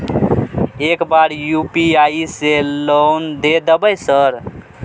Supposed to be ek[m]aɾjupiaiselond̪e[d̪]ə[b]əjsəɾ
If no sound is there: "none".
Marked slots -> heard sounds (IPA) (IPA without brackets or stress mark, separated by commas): b, d̪, b